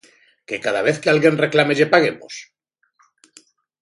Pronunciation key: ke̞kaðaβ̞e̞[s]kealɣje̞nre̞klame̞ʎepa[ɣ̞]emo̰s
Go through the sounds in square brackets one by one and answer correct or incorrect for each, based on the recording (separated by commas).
incorrect, correct